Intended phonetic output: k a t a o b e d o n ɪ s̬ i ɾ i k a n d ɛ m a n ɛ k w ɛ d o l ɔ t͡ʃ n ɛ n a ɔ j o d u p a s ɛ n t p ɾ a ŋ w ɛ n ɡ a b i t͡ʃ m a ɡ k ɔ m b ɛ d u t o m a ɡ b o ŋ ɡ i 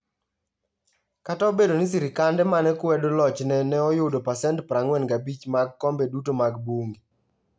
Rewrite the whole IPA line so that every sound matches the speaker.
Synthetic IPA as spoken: k a t a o b e d o n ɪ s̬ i ɾ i k a n d ɛ m a n ɛ k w ɛ d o l ɔ t͡ʃ n ɛ n ɛ ɔ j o d o p a s ɛ n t p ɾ a ŋ w ɛ n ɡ a b i t͡ʃ m a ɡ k ɔ m b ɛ d u t o m a ɡ b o ŋ ɡ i